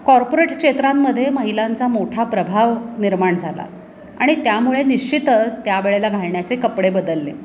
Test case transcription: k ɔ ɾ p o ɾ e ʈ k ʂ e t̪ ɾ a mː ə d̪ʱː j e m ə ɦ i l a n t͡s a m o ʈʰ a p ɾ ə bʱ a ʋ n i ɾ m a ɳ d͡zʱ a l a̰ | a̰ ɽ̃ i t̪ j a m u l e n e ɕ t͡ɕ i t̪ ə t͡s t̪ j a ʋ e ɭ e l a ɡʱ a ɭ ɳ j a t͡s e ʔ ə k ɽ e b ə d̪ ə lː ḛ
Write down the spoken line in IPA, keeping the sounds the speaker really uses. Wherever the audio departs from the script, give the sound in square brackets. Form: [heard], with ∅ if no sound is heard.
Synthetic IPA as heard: k ɔ ɾ p o ɾ e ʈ k ʂ e t̪ ɾ a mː ə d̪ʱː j e m ə ɦ i l a n t͡s a m o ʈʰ a p ɾ ə bʱ a ʋ n i ɾ m a ɳ d͡zʱ a l a̰ | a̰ ɽ̃ i t̪ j a m u [ɭ] e n [i] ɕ t͡ɕ i t̪ ə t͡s t̪ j a ʋ e ɭ e l a ɡʱ a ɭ ɳ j a t͡s e [k] ə [p] ɽ e b ə d̪ ə lː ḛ